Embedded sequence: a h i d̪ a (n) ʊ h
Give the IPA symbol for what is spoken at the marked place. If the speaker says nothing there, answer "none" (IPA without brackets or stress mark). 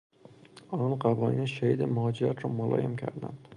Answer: m